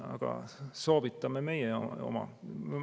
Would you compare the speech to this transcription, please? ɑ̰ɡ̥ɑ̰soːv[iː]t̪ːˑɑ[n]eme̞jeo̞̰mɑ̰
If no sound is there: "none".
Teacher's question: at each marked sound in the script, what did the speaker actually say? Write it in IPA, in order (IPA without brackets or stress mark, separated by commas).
i, m